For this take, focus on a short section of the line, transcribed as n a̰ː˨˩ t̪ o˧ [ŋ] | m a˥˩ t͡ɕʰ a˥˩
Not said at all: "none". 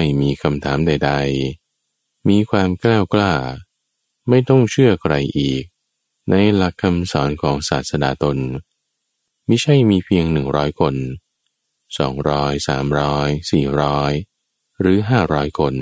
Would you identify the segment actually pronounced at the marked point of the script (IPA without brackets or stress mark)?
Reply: n